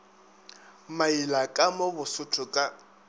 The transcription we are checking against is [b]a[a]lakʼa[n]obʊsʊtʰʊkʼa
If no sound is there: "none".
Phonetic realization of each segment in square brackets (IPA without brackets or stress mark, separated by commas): m, i, m